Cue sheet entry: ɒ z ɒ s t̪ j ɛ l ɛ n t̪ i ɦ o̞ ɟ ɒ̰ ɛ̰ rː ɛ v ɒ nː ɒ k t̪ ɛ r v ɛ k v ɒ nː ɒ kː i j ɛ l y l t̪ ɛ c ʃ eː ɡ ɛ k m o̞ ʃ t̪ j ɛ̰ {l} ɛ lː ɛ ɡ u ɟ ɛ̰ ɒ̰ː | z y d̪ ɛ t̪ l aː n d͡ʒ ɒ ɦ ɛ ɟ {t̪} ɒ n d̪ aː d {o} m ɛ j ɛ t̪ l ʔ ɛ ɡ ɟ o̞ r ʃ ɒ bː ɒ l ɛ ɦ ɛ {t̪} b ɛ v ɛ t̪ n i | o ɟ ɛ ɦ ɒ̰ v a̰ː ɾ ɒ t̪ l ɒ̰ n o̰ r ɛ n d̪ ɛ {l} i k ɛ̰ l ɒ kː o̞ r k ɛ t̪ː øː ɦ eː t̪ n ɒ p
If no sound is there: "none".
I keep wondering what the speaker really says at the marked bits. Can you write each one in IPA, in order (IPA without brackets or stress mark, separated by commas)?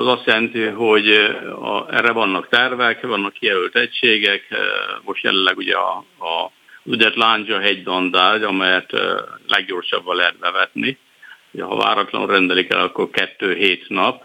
l, d̪, ɒ, t̪, l